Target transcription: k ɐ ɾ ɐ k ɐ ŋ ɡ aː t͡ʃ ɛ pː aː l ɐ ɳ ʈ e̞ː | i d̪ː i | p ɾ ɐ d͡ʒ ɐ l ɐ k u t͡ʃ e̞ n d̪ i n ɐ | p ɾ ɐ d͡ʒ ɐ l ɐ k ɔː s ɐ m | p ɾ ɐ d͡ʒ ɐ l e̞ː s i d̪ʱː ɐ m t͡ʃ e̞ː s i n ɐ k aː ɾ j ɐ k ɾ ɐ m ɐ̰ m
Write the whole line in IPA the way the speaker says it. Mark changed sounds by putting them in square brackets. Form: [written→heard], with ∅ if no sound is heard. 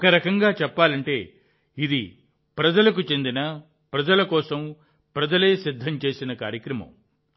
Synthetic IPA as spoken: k ɐ ɾ ɐ k ɐ ŋ ɡ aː t͡ʃ ɛ pː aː l ɐ ɳ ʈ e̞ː | i [d̪ː→d̪] i | p ɾ ɐ d͡ʒ ɐ l ɐ k u t͡ʃ e̞ n d̪ i n ɐ | p ɾ ɐ d͡ʒ ɐ l ɐ k ɔː s ɐ m | p ɾ ɐ d͡ʒ ɐ l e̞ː s i d̪ʱː ɐ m t͡ʃ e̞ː s i n ɐ k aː ɾ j ɐ k ɾ ɐ m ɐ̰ m